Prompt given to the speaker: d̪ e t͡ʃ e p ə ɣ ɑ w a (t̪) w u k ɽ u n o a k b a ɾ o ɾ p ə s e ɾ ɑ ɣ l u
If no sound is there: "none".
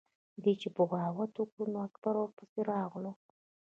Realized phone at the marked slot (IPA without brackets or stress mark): t̪